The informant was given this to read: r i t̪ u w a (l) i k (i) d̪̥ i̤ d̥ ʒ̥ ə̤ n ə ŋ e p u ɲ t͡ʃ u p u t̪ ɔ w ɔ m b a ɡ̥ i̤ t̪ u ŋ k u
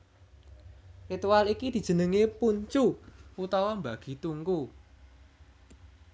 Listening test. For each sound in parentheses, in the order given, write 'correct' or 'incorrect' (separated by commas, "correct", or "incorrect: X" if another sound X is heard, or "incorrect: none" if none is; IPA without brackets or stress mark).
correct, correct